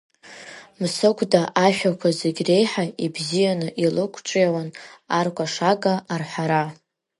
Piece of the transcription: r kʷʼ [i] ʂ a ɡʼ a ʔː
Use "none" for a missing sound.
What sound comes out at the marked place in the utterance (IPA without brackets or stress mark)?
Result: a